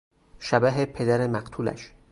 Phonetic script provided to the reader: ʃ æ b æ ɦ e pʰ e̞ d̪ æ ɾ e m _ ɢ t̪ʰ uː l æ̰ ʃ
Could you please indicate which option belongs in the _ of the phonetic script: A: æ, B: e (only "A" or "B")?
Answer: A